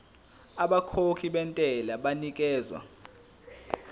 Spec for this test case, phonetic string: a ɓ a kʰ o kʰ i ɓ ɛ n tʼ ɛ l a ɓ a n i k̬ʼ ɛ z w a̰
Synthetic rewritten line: a ɓ a kʰ o kʰ i ɓ ɛ n tʼ ɛ l a ɓ a n i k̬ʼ ɛː z w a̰